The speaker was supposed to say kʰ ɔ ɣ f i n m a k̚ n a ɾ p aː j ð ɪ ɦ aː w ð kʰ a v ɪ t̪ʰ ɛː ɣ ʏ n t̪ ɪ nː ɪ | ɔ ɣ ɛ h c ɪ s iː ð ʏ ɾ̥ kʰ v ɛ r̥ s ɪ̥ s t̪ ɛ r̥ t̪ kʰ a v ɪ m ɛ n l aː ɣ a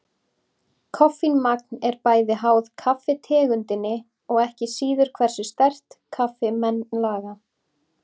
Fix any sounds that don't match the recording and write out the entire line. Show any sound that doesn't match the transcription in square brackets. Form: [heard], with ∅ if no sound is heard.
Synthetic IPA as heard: kʰ ɔ [∅] f i n m a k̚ n [ɛ] ɾ p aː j ð ɪ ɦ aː w ð kʰ a [f] ɪ t̪ʰ ɛː ɣ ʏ n t̪ ɪ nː ɪ | ɔ ɣ ɛ h c ɪ s iː ð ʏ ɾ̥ kʰ v ɛ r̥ s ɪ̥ s t̪ ɛ r̥ t̪ kʰ a [f] ɪ m ɛ n l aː ɣ a